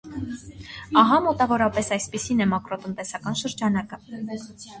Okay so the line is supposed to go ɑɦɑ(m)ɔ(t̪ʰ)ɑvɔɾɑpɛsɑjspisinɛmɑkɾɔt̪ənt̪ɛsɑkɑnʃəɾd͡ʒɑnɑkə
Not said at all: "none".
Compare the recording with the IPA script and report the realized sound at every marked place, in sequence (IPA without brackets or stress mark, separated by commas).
m, t̪